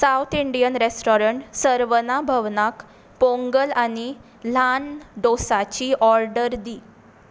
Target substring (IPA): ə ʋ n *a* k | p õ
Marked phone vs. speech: correct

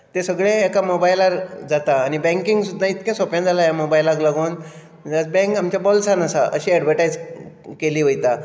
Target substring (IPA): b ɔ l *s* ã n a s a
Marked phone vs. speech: correct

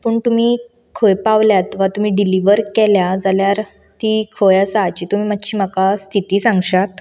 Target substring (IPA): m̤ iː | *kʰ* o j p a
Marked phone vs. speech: correct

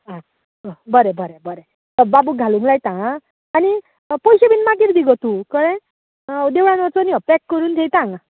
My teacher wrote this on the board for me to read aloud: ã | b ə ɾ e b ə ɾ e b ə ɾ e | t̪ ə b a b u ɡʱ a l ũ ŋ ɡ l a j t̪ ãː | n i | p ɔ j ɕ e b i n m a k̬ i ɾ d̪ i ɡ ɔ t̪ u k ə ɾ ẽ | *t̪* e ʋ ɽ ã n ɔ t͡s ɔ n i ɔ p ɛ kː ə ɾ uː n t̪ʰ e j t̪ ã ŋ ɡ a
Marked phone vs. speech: incorrect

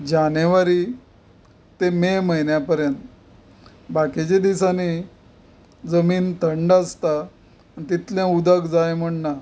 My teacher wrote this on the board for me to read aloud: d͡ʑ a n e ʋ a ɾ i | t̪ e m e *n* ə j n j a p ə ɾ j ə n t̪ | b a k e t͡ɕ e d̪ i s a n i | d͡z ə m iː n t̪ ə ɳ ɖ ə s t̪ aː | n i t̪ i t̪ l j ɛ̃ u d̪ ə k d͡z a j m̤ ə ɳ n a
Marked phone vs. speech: incorrect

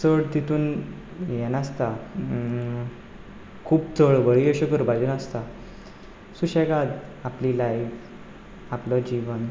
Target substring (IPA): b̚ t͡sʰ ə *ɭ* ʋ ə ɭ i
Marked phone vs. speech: correct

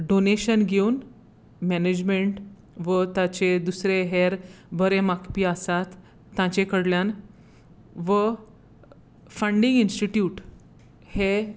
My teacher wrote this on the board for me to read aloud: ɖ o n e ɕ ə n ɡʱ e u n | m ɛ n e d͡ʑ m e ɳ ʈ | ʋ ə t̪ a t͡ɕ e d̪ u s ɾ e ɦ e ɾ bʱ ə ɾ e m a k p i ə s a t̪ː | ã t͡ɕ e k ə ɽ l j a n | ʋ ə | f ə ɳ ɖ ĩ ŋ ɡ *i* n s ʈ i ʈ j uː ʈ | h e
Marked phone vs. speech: correct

